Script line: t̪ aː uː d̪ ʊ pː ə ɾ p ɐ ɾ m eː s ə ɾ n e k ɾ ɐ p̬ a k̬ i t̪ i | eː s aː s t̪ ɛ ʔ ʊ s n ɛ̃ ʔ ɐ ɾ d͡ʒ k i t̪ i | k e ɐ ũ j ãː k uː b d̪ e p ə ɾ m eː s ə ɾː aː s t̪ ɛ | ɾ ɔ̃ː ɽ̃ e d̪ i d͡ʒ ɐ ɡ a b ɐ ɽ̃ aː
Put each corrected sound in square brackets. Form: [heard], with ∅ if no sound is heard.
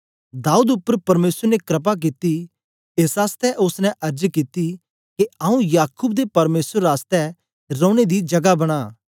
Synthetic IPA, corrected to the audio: [d̪] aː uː d̪ ʊ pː ə ɾ p ɐ ɾ m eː s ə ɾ n e k ɾ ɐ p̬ a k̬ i t̪ i | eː s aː s t̪ ɛ ʔ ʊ s n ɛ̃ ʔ ɐ ɾ d͡ʒ k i t̪ i | k e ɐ ũ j [aː] k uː b d̪ e p [ɐ] ɾ m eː s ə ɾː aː s t̪ ɛ | ɾ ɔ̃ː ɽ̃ e d̪ i d͡ʒ ɐ ɡ a b ɐ ɽ̃ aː